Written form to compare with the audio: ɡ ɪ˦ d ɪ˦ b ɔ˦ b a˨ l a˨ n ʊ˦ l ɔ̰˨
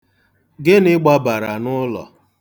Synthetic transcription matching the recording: ɡ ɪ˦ n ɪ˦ ɡ͡b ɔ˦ b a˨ ɾ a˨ n ʊ˦ l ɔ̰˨